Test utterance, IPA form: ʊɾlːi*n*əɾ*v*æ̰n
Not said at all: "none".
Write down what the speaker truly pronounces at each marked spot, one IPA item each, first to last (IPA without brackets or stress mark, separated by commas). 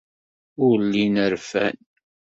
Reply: n, f